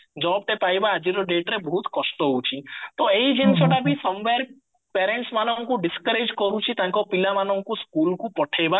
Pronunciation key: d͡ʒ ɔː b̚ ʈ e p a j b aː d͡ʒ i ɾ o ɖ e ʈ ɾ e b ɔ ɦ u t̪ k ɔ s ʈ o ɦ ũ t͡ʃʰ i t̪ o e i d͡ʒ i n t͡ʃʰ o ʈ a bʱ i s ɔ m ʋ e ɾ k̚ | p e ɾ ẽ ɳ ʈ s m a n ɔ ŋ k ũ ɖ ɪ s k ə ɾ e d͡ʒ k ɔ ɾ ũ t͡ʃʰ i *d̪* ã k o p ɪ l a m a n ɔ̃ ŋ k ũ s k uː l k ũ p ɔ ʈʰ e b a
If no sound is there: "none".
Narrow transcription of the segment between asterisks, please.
t̪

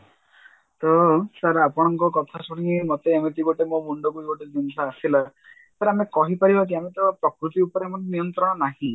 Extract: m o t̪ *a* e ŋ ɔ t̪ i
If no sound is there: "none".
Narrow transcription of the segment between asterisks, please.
e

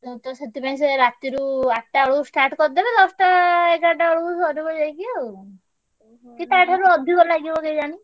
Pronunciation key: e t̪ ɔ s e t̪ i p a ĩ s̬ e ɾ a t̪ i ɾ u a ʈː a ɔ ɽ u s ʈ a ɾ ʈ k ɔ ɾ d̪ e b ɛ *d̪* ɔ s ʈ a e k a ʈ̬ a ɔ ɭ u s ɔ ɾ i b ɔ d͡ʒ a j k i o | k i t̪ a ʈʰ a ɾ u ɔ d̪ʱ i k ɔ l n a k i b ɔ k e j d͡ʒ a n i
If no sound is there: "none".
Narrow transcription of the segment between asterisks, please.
d̪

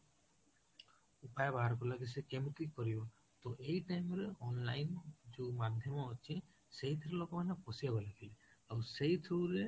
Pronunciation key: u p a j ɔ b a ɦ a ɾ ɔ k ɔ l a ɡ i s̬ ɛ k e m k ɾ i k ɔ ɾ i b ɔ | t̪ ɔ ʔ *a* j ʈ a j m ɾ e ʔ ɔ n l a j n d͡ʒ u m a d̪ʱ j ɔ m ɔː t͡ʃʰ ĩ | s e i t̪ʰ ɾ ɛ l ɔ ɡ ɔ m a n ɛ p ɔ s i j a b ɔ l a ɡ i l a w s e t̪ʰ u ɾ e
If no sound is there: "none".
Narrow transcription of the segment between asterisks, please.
e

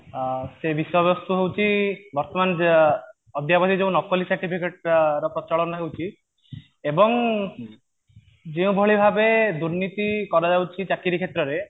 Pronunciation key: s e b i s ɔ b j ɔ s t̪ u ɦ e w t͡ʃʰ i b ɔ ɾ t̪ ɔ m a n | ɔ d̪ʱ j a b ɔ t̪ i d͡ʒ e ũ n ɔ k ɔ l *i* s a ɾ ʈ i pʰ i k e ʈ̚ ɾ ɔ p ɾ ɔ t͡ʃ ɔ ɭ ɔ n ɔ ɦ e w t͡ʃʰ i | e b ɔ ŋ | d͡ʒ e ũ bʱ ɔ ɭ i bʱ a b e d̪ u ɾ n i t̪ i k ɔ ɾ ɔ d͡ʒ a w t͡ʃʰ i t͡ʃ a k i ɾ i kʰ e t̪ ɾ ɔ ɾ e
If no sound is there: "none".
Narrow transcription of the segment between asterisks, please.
i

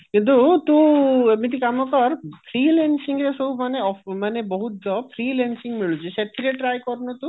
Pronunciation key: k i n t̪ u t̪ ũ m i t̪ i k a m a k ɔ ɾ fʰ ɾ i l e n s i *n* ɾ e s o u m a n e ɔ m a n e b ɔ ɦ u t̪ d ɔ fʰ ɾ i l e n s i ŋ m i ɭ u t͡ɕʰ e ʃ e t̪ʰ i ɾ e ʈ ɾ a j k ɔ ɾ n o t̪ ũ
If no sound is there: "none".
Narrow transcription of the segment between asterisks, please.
ŋ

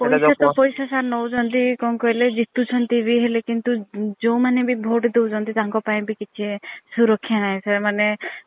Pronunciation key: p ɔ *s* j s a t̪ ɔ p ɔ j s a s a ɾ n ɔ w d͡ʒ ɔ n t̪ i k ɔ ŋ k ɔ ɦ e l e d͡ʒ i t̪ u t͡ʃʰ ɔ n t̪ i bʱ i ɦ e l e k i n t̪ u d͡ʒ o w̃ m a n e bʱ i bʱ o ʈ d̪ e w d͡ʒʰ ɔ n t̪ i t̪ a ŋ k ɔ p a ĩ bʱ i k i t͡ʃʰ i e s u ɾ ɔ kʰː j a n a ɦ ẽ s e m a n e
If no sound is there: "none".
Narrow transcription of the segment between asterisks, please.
none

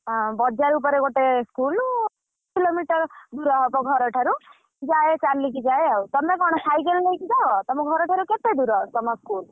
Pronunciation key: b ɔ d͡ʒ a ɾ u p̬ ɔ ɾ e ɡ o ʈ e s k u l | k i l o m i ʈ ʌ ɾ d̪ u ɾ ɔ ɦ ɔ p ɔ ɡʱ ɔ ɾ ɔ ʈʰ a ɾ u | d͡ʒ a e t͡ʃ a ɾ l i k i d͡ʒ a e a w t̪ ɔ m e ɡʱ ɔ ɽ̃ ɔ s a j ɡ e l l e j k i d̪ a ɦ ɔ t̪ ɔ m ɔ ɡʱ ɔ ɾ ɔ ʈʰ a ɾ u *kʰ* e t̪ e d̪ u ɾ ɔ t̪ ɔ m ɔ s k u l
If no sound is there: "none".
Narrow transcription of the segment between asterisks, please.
k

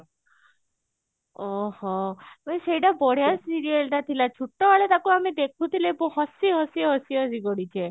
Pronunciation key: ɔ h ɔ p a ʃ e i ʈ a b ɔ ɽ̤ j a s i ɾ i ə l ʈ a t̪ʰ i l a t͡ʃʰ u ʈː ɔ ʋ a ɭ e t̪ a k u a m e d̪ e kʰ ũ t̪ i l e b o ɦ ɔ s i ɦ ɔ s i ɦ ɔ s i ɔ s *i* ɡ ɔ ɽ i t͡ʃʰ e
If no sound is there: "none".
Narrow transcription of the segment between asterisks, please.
i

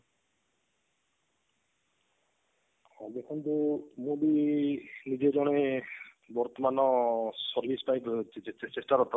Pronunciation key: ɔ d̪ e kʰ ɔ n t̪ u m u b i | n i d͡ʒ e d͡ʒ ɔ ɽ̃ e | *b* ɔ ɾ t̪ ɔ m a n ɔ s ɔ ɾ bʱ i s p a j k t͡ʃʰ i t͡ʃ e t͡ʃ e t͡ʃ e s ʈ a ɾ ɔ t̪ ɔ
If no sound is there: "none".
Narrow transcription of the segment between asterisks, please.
b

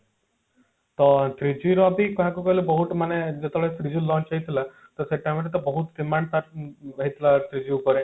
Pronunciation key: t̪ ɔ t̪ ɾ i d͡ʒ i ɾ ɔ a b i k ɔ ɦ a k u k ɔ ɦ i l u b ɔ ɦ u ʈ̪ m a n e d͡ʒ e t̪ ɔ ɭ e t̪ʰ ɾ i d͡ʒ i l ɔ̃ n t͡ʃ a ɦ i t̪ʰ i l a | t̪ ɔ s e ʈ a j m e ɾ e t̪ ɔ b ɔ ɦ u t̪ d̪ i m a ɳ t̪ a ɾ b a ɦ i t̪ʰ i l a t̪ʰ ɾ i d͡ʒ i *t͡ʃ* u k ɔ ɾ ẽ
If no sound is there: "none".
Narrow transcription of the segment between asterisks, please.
none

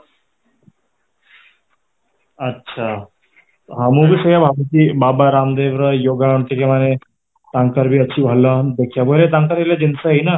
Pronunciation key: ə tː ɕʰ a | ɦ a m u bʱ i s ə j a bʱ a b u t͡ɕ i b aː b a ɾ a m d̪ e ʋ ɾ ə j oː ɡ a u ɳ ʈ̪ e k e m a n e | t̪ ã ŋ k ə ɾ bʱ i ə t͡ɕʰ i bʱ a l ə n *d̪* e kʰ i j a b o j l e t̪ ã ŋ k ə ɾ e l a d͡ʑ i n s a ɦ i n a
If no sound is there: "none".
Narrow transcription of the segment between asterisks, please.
d̪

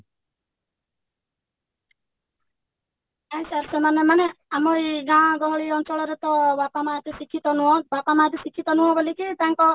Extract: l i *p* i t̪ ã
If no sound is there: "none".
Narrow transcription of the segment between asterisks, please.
k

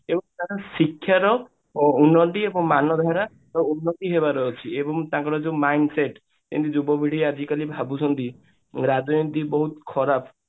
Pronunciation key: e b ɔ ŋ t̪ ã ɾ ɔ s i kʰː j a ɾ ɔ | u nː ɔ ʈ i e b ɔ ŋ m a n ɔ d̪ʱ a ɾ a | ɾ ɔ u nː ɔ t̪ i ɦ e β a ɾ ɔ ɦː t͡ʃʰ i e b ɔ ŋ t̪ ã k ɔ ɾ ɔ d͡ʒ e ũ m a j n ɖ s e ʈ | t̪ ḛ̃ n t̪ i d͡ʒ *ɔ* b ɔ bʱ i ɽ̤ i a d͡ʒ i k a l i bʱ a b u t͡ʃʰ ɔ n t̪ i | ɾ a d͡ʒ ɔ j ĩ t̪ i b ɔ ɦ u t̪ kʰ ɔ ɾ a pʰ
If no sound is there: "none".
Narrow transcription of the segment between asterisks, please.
u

